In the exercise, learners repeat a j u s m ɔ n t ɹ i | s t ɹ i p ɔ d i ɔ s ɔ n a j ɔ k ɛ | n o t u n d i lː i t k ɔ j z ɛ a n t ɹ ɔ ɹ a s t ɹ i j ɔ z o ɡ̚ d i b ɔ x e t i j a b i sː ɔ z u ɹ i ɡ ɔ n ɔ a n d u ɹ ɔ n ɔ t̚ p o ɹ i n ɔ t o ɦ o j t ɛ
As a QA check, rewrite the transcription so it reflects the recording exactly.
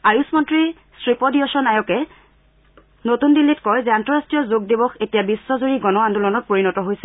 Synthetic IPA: a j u s m ɔ n t ɹ i | s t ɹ i p ɔ d i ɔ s ɔ n a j ɔ k ɛ | n o t u n d i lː i t k ɔ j z ɛ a n t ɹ ɔ ɹ a s t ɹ i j ɔ z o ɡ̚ d i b ɔ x e t i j a b i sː ɔ z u ɹ i ɡ ɔ n ɔ a n d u l ɔ n ɔ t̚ p o ɹ i n ɔ t ɔ ɦ o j s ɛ